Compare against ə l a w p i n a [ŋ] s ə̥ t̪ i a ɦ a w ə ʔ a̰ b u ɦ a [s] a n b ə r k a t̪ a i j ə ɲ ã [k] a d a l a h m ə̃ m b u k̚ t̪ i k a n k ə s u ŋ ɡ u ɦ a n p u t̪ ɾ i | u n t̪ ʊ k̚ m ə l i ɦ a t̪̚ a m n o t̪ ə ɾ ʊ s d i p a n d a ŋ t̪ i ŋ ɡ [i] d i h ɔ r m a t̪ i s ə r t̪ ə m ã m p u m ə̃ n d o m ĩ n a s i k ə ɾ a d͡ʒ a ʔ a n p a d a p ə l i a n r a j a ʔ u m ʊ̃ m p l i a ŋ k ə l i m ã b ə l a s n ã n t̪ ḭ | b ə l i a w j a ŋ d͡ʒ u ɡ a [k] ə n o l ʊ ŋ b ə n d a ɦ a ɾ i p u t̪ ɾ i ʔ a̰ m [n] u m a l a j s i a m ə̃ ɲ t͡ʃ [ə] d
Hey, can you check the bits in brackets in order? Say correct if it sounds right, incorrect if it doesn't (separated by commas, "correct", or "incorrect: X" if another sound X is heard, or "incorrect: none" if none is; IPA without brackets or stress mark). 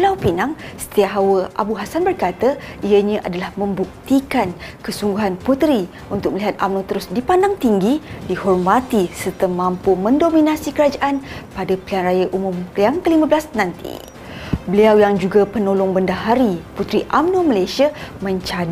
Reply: correct, correct, incorrect: ʔ, correct, incorrect: p, correct, incorrect: a